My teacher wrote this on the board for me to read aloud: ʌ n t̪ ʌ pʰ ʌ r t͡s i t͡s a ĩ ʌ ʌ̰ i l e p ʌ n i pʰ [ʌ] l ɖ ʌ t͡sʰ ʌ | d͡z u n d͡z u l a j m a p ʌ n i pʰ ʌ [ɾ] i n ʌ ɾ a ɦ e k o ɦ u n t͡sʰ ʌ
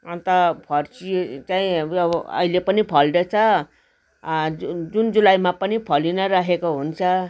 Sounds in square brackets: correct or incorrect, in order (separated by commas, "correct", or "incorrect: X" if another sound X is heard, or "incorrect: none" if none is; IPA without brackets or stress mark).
correct, incorrect: l